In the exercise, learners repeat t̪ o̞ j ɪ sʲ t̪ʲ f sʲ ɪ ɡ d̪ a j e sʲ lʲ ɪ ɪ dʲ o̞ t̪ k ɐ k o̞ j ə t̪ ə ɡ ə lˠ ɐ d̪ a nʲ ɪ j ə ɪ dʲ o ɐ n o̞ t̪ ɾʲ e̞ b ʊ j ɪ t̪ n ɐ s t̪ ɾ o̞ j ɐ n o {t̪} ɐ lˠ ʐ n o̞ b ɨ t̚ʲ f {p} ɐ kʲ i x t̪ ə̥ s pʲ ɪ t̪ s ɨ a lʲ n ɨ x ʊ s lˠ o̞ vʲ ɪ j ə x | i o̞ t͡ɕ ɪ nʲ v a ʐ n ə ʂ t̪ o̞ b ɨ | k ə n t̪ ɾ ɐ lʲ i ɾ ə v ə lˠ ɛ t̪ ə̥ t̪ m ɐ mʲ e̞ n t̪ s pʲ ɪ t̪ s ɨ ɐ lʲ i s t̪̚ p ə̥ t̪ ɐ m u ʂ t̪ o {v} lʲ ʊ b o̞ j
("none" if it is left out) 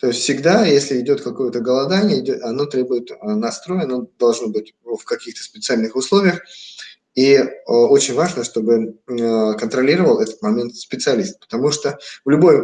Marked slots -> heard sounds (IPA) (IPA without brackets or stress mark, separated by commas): d̪, k, v